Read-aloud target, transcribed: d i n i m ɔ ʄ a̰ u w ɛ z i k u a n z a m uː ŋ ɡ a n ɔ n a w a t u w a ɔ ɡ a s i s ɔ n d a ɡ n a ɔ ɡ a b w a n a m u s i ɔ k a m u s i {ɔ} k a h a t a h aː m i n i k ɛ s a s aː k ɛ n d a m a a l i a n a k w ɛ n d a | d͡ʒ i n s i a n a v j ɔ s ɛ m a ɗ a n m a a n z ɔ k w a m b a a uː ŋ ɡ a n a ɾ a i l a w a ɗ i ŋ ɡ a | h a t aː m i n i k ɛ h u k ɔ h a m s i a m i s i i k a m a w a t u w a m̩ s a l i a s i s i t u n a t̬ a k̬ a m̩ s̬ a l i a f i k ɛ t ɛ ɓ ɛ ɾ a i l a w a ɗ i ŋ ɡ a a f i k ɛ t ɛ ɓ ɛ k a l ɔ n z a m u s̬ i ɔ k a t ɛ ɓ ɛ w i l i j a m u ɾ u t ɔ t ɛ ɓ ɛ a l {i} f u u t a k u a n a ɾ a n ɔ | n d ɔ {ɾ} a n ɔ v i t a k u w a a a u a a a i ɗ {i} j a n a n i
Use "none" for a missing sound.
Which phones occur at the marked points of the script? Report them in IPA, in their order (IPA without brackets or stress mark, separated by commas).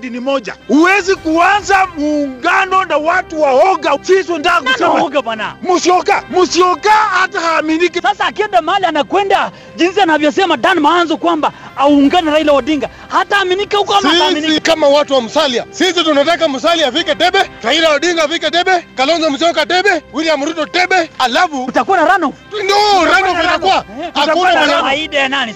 ɔ, a, ɾ, a